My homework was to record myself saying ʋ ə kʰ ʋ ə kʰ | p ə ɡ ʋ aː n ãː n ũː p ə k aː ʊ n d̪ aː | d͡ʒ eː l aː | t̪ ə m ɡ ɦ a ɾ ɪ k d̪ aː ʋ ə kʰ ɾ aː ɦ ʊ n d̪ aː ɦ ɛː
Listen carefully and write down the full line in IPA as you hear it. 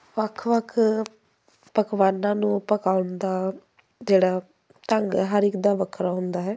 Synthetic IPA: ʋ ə kʰ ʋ ə kʰ | p ə k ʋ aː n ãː n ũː p ə k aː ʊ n d̪ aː | d͡ʒ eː ɽ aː | t̪ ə ŋ ɡ ɦ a ɾ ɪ k d̪ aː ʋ ə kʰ ɾ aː ɦ ʊ n d̪ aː ɦ ɛː